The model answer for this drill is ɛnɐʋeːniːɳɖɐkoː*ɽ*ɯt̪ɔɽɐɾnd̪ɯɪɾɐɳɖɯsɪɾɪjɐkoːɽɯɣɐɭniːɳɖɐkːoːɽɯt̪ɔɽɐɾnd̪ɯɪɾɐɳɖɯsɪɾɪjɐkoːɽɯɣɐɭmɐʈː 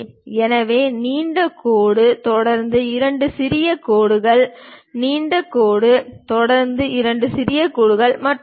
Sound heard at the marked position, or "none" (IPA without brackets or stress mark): ɽ